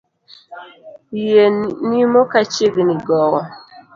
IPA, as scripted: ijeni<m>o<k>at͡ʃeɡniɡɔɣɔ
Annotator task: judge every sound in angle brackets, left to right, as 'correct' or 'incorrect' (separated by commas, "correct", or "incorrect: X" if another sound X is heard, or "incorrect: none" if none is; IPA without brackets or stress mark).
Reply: correct, correct